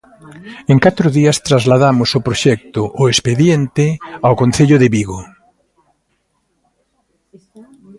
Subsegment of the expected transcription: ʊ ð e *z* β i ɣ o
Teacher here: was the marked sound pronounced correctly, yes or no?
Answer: no